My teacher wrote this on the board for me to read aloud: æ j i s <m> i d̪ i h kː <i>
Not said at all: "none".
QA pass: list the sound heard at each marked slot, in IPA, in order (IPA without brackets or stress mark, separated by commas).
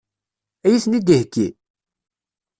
n, i